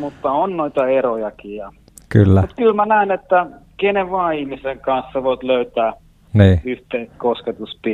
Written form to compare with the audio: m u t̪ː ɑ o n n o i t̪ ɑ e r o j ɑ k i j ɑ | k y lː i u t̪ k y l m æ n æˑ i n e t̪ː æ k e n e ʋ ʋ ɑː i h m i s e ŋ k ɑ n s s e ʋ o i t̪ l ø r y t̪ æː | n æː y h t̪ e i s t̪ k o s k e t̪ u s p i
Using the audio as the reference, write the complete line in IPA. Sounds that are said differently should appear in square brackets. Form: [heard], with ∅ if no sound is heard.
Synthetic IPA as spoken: m u t̪ː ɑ o n n o i t̪ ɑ e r o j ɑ k i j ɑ | k y lː [æ] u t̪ k y l m æ n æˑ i n e t̪ː æ k e n e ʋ ʋ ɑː i h m i s e ŋ k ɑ n s s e ʋ o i t̪ l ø [∅] y t̪ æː | n [iː] y h t̪ e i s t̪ k o s k e t̪ u s p i